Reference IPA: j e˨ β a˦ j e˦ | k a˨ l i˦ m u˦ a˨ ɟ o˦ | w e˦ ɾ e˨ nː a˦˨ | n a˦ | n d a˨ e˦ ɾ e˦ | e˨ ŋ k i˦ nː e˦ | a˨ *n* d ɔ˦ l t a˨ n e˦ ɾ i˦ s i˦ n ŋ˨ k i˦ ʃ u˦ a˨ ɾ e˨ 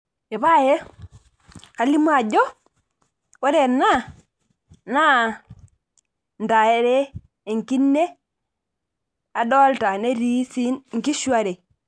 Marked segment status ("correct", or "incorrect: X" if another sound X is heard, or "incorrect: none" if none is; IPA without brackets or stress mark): incorrect: none